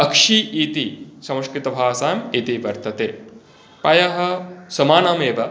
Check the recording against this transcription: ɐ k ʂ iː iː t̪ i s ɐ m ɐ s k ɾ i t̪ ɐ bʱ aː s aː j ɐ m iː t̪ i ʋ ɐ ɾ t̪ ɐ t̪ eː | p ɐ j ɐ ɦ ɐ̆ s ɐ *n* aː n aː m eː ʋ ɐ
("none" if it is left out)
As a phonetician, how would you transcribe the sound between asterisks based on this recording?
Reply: m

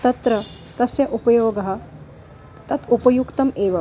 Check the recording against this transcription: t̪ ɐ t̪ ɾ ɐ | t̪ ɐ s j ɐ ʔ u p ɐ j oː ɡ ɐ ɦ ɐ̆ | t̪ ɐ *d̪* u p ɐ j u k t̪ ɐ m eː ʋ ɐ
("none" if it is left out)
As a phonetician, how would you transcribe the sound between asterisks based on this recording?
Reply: t̪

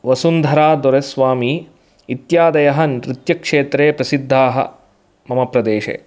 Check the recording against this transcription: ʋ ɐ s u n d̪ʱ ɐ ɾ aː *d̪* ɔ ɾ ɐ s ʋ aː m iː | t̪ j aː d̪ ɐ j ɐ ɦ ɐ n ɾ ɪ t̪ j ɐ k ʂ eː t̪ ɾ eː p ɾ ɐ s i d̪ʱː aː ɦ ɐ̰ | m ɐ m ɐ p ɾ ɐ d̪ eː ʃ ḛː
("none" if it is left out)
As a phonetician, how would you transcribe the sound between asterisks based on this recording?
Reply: d̪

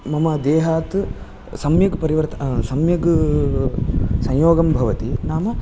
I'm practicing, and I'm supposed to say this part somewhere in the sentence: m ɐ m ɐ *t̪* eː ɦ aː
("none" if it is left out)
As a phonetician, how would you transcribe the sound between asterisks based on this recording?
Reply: d̪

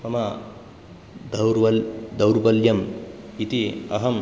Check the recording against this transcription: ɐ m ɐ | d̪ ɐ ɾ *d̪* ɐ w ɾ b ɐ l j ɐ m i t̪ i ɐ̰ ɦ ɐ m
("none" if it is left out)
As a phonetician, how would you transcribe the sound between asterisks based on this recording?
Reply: d̪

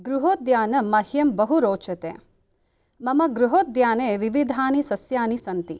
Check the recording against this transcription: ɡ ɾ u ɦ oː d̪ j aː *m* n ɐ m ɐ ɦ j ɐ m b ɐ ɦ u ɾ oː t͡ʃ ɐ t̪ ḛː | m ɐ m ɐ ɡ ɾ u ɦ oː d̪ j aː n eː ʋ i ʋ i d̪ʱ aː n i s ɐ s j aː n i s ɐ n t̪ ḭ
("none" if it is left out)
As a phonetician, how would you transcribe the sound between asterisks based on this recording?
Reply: none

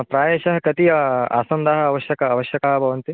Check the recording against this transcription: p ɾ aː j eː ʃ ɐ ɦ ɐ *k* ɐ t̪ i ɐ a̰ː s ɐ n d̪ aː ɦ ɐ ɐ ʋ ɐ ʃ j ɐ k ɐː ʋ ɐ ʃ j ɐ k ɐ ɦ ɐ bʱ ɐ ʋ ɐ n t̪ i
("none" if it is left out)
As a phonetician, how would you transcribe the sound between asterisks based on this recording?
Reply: k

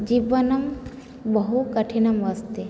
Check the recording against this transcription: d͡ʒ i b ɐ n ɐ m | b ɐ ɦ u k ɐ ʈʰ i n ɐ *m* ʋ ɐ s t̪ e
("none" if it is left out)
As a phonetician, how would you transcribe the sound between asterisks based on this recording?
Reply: m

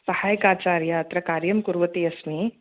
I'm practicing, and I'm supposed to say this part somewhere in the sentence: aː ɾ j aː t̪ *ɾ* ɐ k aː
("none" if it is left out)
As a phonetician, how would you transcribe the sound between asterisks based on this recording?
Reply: ɾ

